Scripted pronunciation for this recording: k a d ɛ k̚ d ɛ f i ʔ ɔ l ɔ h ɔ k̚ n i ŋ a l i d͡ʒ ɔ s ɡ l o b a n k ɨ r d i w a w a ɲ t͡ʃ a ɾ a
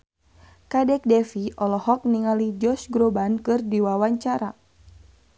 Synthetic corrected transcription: k a d ɛ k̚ d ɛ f i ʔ ɔ l ɔ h ɔ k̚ n i ŋ a l i d͡ʒ ɔ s ɡ ɾ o b a n k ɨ r d i w a w a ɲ t͡ʃ a ɾ a

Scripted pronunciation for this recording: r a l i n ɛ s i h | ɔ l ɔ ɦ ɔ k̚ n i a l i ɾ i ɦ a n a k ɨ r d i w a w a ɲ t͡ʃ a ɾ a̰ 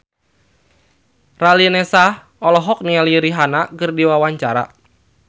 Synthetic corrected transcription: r a l i n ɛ s a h | ɔ l ɔ ɦ ɔ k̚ n i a l i ɾ i ɦ a n a k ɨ r d i w a w a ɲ t͡ʃ a ɾ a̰

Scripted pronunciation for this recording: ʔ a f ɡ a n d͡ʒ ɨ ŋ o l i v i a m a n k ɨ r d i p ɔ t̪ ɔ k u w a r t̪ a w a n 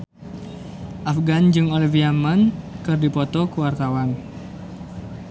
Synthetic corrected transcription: ʔ a f ɡ a n d͡ʒ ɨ ŋ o l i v i a m a n k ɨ r d i p ɔ t̪ ɔ k u w a r t̪ a w a n

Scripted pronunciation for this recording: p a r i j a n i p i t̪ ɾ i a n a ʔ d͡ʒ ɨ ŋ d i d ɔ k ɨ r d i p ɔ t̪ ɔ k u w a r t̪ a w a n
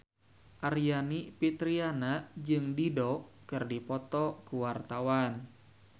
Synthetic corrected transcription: ʔ a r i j a n i p i t̪ ɾ i a n a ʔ d͡ʒ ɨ ŋ d i d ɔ k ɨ r d i p ɔ t̪ ɔ k u w a r t̪ a w a n

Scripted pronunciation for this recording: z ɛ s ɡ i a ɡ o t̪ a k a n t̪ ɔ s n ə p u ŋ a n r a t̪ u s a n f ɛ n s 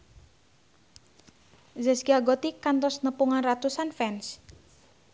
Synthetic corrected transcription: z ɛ s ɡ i a ɡ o t̪ i k a n t̪ ɔ s n ə p u ŋ a n r a t̪ u s a n f ɛ n s

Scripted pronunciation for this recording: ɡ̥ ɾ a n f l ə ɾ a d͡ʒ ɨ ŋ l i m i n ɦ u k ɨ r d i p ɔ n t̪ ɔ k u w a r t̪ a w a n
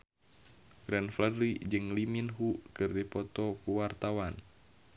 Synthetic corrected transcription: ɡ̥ ɾ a n f l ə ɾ i d͡ʒ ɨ ŋ l i m i n ɦ u k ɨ r d i p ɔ t̪ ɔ k u w a r t̪ a w a n

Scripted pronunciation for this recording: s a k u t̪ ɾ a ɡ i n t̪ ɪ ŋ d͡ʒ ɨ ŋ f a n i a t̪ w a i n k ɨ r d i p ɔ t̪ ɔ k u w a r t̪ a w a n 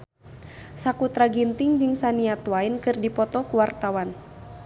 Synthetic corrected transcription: s a k u t̪ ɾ a ɡ i n t̪ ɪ ŋ d͡ʒ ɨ ŋ s a n i a t̪ w a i n k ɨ r d i p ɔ t̪ ɔ k u w a r t̪ a w a n

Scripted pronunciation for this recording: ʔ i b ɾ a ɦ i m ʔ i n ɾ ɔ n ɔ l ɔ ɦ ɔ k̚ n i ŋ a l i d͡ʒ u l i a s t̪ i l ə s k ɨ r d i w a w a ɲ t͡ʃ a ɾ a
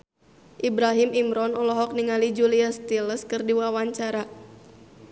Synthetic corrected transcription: ʔ i b ɾ a ɦ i m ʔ i m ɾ ɔ n ɔ l ɔ ɦ ɔ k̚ n i ŋ a l i d͡ʒ u l i a s t̪ i l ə s k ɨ r d i w a w a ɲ t͡ʃ a ɾ a

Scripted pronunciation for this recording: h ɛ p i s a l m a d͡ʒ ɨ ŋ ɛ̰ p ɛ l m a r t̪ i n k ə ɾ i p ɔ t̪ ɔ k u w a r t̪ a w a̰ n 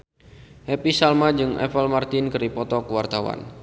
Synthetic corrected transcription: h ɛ p i s a l m a d͡ʒ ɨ ŋ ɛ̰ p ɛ l m a r t̪ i n k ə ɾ i p ɔ t̪ ɔ k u w a r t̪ a w a̰ n

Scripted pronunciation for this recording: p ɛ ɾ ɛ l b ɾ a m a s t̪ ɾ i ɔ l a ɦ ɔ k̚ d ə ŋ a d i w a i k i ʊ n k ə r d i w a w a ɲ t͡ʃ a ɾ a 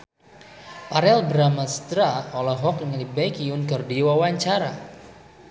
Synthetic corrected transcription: p a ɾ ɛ l b ɾ a m a s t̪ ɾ a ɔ l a ɦ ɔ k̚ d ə ŋ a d i b a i k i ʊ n k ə r d i w a w a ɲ t͡ʃ a ɾ a

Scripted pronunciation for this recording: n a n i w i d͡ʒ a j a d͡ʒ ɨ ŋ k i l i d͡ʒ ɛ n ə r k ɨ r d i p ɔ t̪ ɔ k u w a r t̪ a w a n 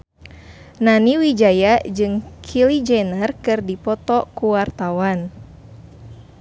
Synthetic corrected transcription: n a n i w i d͡ʒ a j a d͡ʒ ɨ ŋ kʰ i l i d͡ʒ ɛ n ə r k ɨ r d i p ɔ t̪ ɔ k u w a r t̪ a w a n

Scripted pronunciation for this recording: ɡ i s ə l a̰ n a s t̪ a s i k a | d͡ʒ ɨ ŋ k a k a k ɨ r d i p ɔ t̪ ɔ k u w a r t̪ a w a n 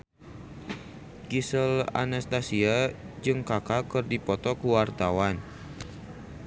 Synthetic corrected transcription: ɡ i s ə l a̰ n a s t̪ a s i a | d͡ʒ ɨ ŋ k a k a k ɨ r d i p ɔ t̪ ɔ k u w a r t̪ a w a n

